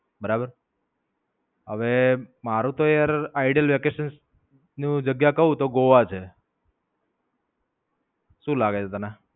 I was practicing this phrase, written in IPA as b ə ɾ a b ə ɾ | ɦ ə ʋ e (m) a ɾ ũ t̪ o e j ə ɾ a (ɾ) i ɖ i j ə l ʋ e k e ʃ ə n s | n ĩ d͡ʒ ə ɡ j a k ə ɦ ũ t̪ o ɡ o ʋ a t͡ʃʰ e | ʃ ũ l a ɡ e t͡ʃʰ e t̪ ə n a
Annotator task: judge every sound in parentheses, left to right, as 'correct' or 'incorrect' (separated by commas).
correct, incorrect